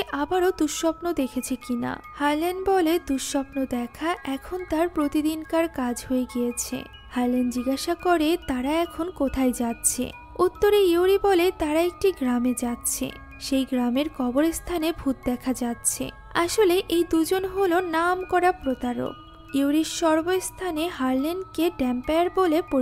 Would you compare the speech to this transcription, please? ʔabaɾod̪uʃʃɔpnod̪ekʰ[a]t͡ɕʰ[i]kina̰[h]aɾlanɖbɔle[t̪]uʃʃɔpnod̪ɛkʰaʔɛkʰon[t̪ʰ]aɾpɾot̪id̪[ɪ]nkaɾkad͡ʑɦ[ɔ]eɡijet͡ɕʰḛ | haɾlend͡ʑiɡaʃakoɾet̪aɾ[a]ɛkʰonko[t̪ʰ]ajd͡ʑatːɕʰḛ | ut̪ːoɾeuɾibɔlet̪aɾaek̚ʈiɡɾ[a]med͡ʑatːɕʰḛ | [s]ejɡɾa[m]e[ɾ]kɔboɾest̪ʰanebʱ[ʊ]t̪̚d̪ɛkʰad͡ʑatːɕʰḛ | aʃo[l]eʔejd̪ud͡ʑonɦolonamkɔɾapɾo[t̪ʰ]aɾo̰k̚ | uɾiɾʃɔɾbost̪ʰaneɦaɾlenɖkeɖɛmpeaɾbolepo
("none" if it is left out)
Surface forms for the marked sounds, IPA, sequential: e, e, h, d̪, t̪, i, o, a, t̪ʰ, a, ʃ, m, ɾ, u, l, t̪

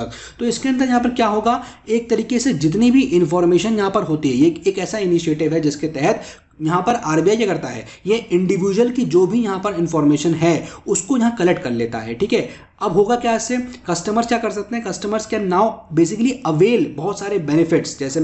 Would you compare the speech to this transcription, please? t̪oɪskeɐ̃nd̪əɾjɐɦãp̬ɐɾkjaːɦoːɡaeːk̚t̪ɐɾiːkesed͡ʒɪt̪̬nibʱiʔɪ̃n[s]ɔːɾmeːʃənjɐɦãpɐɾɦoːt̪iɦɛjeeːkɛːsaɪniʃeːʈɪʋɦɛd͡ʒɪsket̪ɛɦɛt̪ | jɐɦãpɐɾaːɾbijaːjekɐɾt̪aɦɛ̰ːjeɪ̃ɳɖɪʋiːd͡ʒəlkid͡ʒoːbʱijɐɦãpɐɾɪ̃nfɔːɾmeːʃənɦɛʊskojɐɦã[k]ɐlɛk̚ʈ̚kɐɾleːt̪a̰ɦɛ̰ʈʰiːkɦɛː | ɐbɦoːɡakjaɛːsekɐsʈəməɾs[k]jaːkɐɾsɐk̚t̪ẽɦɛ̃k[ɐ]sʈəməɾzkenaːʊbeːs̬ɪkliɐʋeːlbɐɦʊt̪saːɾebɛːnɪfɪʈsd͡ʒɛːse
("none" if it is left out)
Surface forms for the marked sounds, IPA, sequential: f, k, k, ɐ

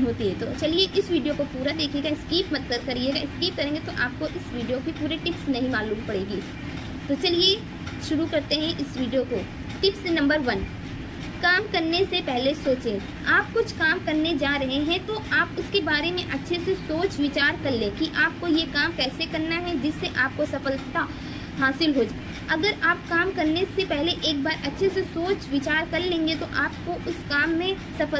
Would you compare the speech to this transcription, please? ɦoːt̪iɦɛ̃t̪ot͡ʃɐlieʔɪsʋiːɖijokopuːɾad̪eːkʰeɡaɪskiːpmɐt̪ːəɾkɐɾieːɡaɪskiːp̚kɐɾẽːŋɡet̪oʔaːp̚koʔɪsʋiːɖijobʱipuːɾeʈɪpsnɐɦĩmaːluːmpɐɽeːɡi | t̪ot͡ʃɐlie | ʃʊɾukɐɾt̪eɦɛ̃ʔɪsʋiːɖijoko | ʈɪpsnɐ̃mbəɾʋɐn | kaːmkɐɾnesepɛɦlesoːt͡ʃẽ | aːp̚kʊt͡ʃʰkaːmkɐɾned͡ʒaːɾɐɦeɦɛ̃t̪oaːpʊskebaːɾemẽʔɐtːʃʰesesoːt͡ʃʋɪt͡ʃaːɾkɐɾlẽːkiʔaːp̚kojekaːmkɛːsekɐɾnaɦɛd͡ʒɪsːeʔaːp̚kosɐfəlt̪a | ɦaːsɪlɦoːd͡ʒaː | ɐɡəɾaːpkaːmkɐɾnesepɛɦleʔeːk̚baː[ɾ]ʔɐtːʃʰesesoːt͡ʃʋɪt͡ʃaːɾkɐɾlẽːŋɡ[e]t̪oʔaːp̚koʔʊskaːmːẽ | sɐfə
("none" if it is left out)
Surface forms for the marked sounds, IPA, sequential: ɾ, e

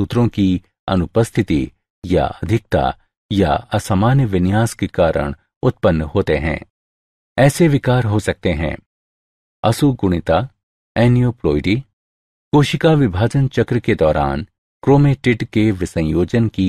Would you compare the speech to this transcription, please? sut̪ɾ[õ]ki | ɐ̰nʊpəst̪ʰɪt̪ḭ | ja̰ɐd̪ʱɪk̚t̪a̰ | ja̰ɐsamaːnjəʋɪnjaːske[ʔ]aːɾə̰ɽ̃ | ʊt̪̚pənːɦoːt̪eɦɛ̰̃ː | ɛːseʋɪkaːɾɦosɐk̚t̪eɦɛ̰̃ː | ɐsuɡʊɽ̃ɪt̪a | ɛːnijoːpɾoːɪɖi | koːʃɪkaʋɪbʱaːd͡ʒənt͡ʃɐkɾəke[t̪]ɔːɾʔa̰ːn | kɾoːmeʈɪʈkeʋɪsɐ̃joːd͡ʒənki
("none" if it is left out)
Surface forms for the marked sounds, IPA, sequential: õ, k, d̪

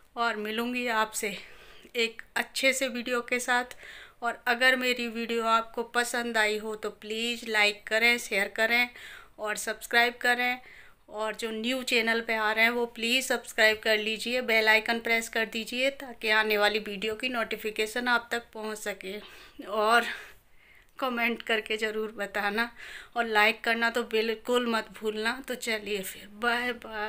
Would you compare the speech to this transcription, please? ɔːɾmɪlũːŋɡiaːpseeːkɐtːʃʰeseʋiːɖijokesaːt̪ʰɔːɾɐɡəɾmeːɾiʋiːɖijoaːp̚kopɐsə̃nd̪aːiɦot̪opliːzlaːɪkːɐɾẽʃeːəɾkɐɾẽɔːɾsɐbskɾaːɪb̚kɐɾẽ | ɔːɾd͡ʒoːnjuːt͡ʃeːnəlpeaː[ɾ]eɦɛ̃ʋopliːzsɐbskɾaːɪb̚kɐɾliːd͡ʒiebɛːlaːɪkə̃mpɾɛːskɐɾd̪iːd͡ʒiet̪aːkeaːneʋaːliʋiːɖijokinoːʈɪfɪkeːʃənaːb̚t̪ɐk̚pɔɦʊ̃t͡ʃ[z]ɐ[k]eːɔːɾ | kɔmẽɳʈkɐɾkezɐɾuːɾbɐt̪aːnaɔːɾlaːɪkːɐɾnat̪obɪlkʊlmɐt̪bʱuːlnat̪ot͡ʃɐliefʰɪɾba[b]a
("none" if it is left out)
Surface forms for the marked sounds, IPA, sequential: ɾ, s, k, b

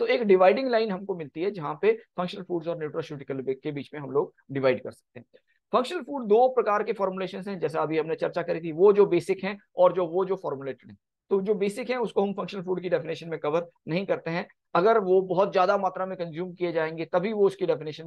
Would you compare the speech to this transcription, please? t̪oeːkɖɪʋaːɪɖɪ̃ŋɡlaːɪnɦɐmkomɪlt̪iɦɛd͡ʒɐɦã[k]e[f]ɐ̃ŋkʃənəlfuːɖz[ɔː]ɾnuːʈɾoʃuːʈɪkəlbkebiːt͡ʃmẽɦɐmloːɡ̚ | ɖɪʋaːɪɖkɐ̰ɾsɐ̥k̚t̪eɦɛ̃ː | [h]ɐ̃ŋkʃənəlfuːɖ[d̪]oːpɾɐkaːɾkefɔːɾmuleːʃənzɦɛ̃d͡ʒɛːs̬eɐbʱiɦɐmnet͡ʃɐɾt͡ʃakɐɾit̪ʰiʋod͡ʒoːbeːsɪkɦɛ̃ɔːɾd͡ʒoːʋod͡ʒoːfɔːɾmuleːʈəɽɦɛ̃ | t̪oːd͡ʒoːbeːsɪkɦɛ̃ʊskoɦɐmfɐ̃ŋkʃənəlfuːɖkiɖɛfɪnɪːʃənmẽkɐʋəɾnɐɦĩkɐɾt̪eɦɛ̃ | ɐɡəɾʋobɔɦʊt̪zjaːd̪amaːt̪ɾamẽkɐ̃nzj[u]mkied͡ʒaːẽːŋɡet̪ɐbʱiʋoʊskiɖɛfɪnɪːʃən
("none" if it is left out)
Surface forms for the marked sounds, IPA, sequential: p, f, ɔː, f, d̪, uː

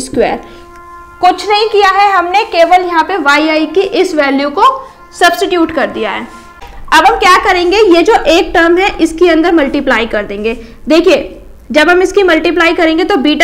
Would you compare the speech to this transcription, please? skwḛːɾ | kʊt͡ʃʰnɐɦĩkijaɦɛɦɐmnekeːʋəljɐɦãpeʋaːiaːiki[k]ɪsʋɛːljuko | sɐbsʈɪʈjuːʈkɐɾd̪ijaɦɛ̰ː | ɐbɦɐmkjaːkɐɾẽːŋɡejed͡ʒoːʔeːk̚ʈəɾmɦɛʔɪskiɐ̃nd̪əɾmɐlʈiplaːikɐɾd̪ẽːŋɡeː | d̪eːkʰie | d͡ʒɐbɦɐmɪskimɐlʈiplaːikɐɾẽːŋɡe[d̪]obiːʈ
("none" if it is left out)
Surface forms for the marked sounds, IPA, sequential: ʔ, t̪

